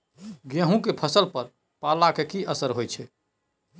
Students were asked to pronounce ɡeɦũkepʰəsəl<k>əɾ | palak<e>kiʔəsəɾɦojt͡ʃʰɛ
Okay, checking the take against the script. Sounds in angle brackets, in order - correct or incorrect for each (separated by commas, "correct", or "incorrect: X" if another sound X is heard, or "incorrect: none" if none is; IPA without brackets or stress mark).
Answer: incorrect: p, correct